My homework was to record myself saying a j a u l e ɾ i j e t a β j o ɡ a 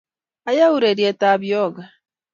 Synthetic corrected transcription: a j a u ɾ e ɾ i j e t a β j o ɡ a